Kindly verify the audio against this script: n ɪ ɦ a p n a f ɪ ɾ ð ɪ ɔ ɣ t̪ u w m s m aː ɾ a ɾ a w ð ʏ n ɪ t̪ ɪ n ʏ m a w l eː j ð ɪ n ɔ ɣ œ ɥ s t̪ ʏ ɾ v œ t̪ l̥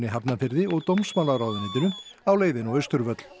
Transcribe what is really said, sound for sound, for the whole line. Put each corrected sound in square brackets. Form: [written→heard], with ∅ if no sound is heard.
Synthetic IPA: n ɪ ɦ a p n a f ɪ ɾ ð ɪ ɔ ɣ t̪ [u→o] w m s m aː [ɾ→l] a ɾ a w ð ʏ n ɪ t̪ ɪ n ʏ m a w l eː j ð ɪ n ɔ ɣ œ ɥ s t̪ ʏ ɾ v œ t̪ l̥